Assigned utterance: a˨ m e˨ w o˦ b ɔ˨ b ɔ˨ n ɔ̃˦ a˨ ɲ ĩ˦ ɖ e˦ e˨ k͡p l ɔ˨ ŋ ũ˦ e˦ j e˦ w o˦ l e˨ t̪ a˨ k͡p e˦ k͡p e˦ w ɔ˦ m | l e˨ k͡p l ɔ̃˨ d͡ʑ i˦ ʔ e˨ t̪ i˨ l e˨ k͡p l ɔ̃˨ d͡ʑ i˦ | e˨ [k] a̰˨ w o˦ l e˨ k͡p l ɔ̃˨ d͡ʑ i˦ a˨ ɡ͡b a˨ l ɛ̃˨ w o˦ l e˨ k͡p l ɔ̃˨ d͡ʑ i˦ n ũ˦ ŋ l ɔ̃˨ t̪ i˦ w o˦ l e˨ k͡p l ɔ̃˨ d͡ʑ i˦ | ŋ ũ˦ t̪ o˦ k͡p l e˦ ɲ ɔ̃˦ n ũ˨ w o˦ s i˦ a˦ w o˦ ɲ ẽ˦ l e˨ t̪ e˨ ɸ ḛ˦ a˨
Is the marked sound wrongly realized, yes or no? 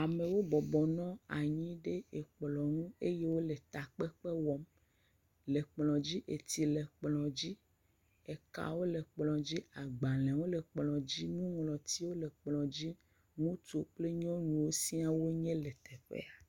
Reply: no